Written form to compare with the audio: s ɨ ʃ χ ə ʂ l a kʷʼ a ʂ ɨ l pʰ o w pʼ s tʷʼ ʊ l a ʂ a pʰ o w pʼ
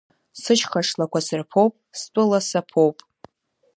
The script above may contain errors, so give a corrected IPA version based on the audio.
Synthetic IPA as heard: s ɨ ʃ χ a ʂ l a kʷ a s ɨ r pʰ o w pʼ s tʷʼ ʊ l a s a pʰ o w pʼ